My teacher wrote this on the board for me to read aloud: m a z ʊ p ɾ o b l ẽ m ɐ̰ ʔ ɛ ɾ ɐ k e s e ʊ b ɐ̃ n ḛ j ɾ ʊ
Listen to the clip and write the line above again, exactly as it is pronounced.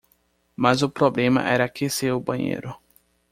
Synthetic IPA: m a z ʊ p ɾ o b l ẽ m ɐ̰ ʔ ɛ ɾ ɐ k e s e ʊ b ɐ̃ ɲ ḛ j ɾ ʊ